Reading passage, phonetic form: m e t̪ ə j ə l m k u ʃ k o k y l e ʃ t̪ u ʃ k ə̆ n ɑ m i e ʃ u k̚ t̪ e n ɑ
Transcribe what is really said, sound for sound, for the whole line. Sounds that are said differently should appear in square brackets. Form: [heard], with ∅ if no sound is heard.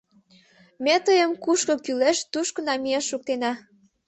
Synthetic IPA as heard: m e t̪ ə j ə [∅] m k u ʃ k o k y l e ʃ t̪ u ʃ k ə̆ n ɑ m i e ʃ u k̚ t̪ e n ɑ

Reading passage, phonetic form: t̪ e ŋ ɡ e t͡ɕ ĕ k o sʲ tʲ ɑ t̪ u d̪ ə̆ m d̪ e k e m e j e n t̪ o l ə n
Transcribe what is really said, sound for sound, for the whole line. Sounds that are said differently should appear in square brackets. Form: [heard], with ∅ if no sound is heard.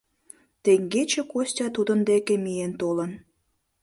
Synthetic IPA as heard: t̪ e ŋ ɡ e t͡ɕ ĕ k o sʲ tʲ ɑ t̪ u d̪ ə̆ [n] d̪ e k e m [i] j e n t̪ o l ə n

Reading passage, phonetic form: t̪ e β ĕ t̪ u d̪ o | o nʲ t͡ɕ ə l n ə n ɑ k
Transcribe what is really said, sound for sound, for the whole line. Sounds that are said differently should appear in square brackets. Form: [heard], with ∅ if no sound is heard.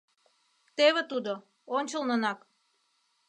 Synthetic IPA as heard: t̪ e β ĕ t̪ u d̪ o | o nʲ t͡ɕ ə l n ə n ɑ k

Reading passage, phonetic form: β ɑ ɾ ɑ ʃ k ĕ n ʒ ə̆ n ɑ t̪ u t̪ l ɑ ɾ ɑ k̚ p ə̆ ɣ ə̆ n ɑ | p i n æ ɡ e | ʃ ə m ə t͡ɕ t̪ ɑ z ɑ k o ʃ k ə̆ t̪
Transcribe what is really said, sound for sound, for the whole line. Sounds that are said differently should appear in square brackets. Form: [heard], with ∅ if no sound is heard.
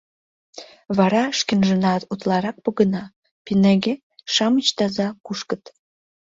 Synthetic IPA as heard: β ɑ ɾ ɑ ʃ k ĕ n ʒ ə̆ n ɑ t̪ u t̪ l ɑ ɾ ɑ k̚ p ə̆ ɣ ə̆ n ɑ | p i n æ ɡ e | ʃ [ɑ] m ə t͡ɕ t̪ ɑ z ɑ k [u] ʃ k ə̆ t̪

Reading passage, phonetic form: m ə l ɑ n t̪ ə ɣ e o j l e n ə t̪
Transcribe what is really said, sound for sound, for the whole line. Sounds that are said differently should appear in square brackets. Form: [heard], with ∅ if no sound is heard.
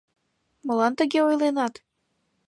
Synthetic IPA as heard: m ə l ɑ n t̪ ə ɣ e o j l e n [ɑ] t̪

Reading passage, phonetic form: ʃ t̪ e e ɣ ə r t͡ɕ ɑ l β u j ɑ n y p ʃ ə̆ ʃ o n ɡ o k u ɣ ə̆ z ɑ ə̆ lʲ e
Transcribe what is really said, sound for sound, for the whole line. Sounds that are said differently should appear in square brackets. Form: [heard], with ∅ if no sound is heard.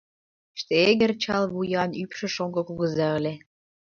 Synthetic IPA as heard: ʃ t̪ e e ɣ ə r t͡ɕ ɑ l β u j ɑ n y p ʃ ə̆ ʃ o [ŋ] ɡ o k u ɣ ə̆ z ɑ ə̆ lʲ e

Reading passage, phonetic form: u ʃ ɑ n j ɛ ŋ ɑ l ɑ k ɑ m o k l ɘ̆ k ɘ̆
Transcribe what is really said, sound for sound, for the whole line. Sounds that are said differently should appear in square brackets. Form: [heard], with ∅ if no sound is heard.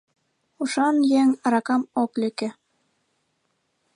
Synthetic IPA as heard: u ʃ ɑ n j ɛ ŋ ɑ [ɾ] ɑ k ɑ m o k l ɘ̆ k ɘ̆

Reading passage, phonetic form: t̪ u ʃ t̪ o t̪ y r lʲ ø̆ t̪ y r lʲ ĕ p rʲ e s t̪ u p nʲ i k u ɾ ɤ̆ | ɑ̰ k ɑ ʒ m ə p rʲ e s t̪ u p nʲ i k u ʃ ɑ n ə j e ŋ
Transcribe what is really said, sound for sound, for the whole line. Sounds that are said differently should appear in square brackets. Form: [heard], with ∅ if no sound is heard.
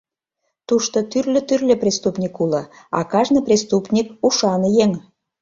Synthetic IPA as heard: t̪ u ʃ t̪ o t̪ y r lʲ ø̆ t̪ y r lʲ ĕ p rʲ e s t̪ u p nʲ i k u [l] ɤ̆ | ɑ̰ k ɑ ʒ [n] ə p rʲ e s t̪ u p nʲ i k u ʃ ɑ n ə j e ŋ

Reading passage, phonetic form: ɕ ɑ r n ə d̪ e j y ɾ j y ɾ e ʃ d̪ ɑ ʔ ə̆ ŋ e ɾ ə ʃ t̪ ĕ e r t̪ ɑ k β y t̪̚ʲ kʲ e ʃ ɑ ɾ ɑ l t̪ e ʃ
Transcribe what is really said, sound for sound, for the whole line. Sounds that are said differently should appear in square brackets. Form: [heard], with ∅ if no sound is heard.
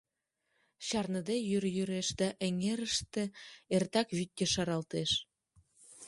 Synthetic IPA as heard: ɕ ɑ r n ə d̪ e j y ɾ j y ɾ e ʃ d̪ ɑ ʔ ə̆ ŋ e ɾ ə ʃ t̪ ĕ e r t̪ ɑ k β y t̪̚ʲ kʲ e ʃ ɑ ɾ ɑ l t̪ e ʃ

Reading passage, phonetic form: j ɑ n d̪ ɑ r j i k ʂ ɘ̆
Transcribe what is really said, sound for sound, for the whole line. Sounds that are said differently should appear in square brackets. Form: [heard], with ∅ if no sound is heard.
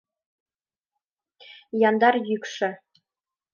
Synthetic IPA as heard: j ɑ n d̪ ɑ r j [y] k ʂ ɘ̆

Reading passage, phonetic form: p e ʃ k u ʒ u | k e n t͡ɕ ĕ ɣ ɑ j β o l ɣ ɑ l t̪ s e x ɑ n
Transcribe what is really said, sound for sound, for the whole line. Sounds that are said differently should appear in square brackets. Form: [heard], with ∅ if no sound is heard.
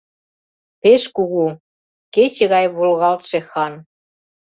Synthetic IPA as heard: p e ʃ k u [ɣ] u | k e [∅] t͡ɕ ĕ ɣ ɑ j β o l ɣ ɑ l t̪ [ʃ] e x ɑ n

